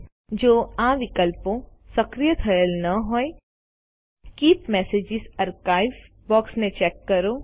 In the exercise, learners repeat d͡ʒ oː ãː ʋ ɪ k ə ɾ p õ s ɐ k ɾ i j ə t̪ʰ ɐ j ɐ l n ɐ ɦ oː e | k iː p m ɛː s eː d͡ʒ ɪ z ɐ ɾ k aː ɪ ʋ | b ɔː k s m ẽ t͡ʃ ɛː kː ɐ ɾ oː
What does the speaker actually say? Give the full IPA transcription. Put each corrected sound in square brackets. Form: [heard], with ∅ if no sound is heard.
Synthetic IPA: d͡ʒ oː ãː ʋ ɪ k ə [l] p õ s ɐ k ɾ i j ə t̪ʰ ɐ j [ə] l n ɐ ɦ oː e | k iː p m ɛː s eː d͡ʒ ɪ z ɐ ɾ k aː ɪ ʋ | b ɔː k s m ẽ t͡ʃ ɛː kː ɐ ɾ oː

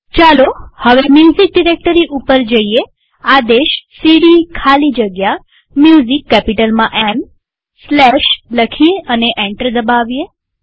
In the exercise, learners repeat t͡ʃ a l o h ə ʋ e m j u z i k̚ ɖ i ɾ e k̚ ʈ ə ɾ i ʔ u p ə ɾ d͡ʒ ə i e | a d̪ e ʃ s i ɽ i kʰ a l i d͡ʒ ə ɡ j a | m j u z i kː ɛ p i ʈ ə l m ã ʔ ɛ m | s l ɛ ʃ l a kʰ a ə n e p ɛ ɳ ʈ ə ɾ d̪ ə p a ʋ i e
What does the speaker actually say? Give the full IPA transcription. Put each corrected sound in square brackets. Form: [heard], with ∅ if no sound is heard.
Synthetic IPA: t͡ʃ a l o h ə ʋ e m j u z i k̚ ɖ i ɾ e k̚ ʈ ə ɾ i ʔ u p ə ɾ d͡ʒ ə i e | a d̪ e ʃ s i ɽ i kʰ a l i d͡ʒ ə ɡ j a | m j u z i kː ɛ p i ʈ ə l m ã ʔ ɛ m | s l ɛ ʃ l [ə] kʰ [i] ə n e [ʔ] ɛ ɳ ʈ ə ɾ d̪ ə [b] a ʋ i e

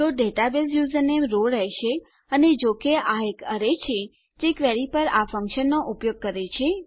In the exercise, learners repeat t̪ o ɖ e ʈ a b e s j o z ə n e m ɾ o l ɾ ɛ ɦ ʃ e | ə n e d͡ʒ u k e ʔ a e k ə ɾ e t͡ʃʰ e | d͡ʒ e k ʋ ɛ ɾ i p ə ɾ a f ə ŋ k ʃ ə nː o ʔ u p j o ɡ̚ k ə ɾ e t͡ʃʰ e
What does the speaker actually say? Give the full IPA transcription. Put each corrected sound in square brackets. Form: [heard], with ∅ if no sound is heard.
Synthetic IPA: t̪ o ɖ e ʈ a b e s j [u] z ə n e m ɾ o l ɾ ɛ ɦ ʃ e | ə n e d͡ʒ [o] k e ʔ a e k ə ɾ e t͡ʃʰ e | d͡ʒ e k ʋ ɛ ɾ i p ə ɾ a f ə ŋ k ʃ ə nː o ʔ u p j o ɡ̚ k ə ɾ e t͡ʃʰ e

